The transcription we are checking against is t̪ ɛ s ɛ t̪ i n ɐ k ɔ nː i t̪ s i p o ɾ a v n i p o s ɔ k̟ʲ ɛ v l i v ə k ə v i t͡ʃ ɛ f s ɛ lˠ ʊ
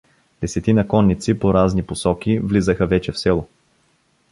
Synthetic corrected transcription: d̪ ɛ s ɛ t̪ i n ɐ k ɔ nː i t̪ s i p o ɾ a z n i p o s ɔ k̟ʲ i v l i z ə x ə v ɛ t͡ʃ ɛ f s ɛ lˠ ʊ